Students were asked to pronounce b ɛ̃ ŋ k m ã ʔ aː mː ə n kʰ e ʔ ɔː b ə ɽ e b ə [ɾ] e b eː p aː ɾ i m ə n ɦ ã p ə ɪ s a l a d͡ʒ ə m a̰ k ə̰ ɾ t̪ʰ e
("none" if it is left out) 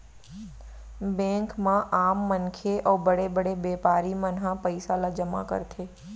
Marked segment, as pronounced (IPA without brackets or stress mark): ɽ